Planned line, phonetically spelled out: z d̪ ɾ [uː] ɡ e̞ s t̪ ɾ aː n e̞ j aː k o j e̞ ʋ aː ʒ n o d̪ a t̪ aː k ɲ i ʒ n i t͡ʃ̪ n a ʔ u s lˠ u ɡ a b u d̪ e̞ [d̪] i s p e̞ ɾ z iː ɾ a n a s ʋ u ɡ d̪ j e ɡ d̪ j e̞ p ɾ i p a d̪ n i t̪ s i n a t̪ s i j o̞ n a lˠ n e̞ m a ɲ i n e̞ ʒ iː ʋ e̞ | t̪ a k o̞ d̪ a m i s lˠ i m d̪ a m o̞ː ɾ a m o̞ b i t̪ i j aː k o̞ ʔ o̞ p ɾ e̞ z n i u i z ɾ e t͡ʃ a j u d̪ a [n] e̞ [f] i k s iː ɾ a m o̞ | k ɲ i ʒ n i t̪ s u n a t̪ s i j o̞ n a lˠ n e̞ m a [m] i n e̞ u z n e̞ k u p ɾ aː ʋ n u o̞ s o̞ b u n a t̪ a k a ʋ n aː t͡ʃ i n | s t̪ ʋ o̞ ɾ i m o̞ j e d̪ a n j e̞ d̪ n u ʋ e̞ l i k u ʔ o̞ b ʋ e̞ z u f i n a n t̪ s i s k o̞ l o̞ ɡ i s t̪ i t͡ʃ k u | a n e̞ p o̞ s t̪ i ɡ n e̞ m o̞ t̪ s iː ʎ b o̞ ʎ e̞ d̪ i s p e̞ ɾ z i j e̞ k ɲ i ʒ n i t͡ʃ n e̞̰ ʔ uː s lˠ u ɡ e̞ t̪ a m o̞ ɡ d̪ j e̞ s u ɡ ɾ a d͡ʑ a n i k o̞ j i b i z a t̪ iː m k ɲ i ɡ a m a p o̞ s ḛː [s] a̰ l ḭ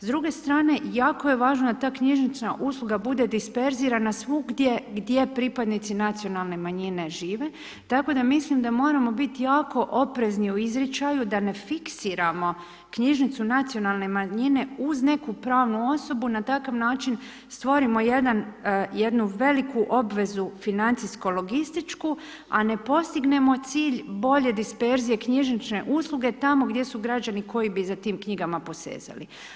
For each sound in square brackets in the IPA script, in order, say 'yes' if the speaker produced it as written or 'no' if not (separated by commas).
no, yes, yes, yes, no, no